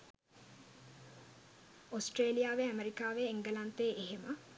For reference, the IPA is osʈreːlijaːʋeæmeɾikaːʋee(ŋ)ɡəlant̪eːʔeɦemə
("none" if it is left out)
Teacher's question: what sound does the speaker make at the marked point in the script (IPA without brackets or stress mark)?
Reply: ŋ